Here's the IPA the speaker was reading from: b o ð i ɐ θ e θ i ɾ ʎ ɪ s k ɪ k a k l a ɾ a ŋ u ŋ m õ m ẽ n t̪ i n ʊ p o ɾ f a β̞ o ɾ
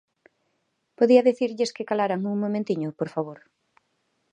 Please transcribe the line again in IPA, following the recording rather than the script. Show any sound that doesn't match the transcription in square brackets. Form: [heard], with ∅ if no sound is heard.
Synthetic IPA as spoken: [p] o ð i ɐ [ð] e θ i ɾ ʎ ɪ s k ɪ k a [∅] l a ɾ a ŋ u ŋ m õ m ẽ n t̪ i [ɲ] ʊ p o ɾ f a β̞ o ɾ